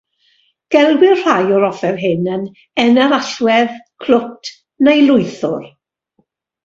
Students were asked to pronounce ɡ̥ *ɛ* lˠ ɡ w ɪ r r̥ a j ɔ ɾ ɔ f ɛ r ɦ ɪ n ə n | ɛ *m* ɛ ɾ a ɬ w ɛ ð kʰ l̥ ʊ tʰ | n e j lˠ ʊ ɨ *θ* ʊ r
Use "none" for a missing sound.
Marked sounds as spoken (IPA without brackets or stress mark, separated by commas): ɛ, n, θ